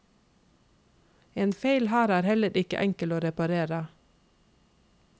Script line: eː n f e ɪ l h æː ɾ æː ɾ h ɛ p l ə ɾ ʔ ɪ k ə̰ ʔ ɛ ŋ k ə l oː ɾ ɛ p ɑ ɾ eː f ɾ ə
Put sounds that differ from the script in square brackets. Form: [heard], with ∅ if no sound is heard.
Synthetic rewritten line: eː n f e ɪ l h æː ɾ æː ɾ h ɛ [∅] l ə ɾ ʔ ɪ k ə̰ ʔ ɛ ŋ k ə l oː ɾ ɛ p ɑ ɾ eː [∅] ɾ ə